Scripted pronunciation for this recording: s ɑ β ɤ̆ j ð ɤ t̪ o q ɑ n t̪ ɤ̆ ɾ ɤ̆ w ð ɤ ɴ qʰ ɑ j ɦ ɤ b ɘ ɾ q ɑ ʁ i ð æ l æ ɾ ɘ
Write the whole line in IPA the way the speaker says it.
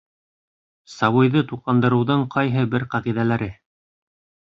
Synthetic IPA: s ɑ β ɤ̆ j ð ɤ t̪ u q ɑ n d̪ ɤ̆ ɾ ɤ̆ w ð ɤ ɴ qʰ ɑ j ɦ ɤ b ɘ ɾ q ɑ ʁ i ð æ l æ ɾ ɘ

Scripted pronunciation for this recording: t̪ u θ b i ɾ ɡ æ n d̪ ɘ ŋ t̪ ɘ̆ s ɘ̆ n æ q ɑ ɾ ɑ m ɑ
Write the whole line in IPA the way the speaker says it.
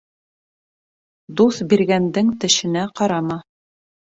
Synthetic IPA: d̪ u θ b i ɾ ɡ æ n d̪ ɘ ŋ t̪ ɘ̆ ʃ ɘ̆ n æ q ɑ ɾ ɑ m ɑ

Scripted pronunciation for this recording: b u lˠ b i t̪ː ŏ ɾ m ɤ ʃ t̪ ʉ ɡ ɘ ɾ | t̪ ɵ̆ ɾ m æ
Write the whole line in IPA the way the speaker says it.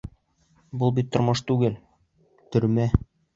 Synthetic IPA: b u lˠ b i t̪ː ŏ ɾ m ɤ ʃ t̪ ʉ ɡ ɘ l | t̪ ɵ̆ ɾ m æ

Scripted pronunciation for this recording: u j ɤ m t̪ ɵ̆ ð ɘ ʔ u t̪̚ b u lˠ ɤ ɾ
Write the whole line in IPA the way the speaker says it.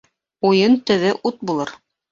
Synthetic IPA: u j ɤ n t̪ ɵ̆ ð ɘ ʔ u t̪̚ b u lˠ ɤ ɾ

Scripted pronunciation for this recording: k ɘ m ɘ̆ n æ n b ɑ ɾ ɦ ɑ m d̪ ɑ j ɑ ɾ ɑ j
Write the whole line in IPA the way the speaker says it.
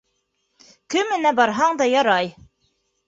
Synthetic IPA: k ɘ m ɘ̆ n æ b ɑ ɾ ɦ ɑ ɴ d̪ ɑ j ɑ ɾ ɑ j

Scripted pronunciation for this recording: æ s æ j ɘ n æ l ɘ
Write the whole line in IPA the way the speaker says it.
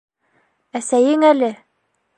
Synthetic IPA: æ s æ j ɘ ŋ æ l ɘ

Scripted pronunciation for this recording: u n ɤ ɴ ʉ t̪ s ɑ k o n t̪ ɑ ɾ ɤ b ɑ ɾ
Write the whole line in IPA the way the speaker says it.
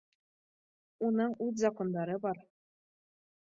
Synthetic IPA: u n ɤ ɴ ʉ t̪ z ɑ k o n d̪ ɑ ɾ ɤ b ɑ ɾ

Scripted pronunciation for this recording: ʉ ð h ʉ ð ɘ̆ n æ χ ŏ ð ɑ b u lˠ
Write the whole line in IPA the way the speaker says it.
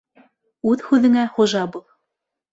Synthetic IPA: ʉ ð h ʉ ð ɘ̆ ŋ æ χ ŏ ʒ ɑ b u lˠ

